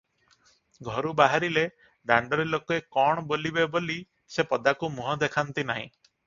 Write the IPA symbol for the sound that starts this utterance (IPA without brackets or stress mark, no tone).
ɡʱ